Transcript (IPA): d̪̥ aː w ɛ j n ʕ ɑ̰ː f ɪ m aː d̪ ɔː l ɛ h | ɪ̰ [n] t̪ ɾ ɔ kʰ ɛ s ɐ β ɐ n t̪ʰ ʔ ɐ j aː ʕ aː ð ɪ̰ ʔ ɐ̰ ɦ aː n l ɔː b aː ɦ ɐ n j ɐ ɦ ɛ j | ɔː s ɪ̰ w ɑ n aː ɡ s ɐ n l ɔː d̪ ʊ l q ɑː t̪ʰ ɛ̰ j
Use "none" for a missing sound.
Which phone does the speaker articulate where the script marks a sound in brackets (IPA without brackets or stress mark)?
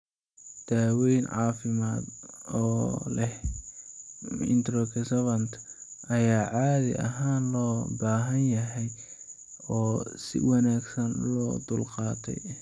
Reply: n